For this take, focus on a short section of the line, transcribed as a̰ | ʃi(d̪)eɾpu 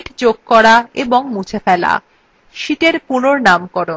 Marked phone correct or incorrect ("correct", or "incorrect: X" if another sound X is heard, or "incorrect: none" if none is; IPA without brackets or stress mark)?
incorrect: t̪